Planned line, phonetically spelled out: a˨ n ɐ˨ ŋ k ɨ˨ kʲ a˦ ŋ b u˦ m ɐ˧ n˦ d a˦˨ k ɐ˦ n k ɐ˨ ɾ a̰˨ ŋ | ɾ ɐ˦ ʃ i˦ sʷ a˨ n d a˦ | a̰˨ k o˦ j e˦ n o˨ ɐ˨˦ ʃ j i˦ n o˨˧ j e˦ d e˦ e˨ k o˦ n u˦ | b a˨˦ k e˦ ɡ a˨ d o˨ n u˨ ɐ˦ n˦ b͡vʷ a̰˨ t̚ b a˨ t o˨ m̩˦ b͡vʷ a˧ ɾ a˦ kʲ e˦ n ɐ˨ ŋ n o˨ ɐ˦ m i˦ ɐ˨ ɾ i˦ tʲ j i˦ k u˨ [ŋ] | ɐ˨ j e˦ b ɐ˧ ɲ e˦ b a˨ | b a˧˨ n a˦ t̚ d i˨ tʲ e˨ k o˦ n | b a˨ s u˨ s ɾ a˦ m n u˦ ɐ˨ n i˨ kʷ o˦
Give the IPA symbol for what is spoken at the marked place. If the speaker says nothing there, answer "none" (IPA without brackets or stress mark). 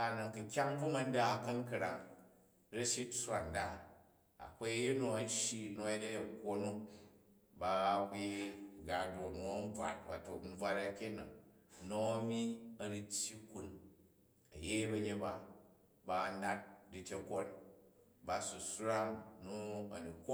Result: n